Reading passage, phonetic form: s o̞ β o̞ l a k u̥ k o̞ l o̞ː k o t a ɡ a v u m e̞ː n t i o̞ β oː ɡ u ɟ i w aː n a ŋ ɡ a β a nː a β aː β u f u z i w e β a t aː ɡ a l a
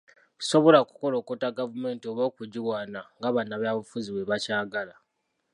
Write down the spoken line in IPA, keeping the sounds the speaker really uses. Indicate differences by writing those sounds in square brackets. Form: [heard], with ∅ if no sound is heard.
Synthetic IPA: s o̞ β o̞ l a k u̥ k o̞ l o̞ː k o t a ɡ a v u m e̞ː n t i o̞ β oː [k] u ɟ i w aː n a ŋ ɡ a β a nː a β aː β u f u z i w e β a [c] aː ɡ a l a